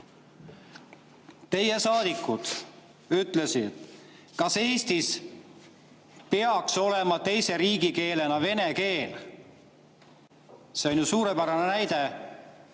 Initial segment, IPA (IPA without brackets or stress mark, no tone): t̪